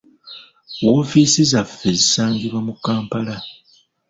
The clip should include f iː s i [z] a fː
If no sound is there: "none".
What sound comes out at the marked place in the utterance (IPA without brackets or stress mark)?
z